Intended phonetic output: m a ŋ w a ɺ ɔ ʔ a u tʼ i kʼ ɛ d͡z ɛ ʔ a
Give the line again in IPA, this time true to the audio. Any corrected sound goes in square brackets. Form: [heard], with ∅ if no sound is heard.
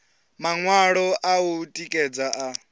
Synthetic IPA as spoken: m a ŋ w a ɺ ɔ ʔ a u tʼ i kʼ ɛ d͡z [a] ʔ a

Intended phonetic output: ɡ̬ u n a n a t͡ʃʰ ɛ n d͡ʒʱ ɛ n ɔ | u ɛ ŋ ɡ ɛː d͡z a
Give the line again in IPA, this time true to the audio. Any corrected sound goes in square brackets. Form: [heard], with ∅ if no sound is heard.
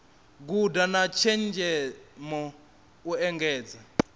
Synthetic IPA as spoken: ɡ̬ u [d] a n a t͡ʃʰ ɛ n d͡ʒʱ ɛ [m] ɔ | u ɛ ŋ ɡ ɛː d͡z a

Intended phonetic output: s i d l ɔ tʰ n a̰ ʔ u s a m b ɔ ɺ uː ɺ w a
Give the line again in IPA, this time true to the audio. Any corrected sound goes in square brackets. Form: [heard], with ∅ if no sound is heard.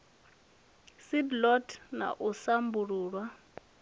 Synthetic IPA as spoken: s i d l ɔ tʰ n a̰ ʔ u s a m b [u] ɺ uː ɺ w a

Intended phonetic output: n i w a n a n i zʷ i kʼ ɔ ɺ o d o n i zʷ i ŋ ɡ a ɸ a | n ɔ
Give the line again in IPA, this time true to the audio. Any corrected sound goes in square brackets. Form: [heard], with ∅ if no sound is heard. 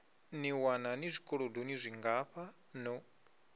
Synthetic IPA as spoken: n i w a n a n i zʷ i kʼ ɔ ɺ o d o n i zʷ i ŋ ɡ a ɸ a | n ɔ

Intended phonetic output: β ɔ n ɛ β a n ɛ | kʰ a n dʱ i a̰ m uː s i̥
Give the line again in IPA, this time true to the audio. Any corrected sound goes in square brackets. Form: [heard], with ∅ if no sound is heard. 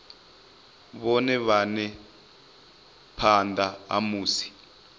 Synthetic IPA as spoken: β ɔ n ɛ β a n ɛ | [pʰ] a n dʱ [a] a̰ m uː s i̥

